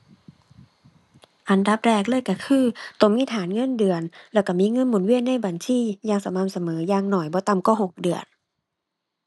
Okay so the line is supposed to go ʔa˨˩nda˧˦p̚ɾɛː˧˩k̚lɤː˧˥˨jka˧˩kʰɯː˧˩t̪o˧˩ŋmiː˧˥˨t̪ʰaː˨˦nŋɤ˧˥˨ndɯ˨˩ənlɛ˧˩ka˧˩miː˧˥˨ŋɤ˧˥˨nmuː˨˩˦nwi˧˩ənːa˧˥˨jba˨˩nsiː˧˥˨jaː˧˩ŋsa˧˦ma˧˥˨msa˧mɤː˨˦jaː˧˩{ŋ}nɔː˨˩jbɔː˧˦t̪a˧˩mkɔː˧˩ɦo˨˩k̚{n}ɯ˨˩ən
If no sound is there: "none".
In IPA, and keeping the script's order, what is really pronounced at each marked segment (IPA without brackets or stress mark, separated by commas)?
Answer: ŋ, d